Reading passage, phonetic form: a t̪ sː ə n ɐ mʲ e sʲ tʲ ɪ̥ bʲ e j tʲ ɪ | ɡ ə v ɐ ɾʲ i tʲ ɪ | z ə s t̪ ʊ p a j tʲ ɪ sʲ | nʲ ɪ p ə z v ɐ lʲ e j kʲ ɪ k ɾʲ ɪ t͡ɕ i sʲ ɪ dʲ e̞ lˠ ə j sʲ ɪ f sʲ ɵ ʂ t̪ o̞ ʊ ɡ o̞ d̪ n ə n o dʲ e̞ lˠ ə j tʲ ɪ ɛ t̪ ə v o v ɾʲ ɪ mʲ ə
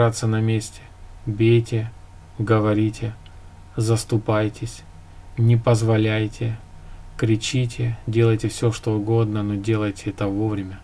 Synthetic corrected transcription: a t̪ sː ə n ɐ mʲ e sʲ tʲ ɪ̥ bʲ e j tʲ ɪ | ɡ ə v ɐ ɾʲ i tʲ ɪ | z ə s t̪ ʊ p a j tʲ ɪ sʲ | nʲ ɪ p ə z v ɐ lʲ æ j tʲ ɪ k ɾʲ ɪ t͡ɕ i tʲ ɪ dʲ e̞ lˠ ə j tʲ ɪ f sʲ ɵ ʂ t̪ o̞ ʊ ɡ o̞ d̪ n ə n o dʲ e̞ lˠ ə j tʲ ɪ ɛ t̪ ə v o v ɾʲ ɪ mʲ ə